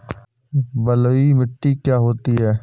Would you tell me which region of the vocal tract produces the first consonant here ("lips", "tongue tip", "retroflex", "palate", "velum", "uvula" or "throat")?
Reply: lips